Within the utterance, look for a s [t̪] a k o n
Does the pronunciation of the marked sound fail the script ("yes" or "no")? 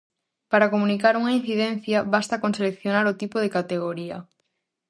no